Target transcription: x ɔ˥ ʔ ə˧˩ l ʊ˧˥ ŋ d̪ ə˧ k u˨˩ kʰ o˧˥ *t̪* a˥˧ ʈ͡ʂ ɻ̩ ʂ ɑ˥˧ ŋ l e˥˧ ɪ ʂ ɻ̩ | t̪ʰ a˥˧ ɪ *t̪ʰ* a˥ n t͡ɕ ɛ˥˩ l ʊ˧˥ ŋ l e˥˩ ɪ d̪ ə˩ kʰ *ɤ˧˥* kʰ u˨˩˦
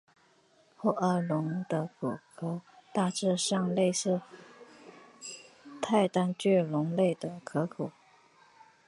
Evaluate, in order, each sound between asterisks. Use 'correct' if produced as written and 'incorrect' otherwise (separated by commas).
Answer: correct, incorrect, correct